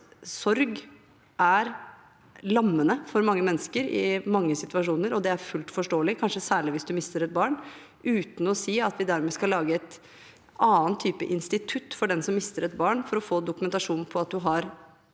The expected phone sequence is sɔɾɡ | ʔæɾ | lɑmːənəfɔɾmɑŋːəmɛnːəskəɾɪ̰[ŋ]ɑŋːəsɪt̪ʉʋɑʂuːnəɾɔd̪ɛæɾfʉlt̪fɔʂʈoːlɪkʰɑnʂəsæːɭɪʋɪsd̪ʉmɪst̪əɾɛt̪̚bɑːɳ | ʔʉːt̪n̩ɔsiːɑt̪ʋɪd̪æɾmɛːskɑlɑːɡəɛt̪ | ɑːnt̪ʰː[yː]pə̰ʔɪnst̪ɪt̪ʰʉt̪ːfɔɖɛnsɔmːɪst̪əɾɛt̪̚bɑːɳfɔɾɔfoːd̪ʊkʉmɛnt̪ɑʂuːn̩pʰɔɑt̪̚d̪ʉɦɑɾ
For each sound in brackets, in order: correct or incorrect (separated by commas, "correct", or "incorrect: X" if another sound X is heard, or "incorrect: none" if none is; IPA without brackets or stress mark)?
incorrect: m, correct